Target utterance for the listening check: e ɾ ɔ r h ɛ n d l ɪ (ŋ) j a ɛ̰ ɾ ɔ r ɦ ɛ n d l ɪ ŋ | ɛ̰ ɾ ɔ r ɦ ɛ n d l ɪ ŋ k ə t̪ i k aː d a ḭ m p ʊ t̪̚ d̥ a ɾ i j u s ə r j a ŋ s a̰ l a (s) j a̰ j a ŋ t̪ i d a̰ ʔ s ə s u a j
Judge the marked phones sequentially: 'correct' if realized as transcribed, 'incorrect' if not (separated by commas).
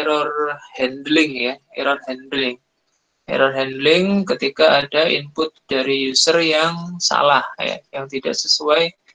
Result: correct, incorrect